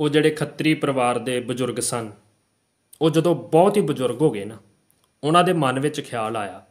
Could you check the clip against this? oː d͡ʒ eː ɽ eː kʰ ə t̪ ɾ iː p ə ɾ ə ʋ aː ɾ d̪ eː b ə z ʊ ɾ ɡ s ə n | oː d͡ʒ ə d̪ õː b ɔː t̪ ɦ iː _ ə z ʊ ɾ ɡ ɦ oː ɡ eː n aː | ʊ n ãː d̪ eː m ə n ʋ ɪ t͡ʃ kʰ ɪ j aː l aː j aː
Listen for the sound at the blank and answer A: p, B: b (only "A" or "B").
B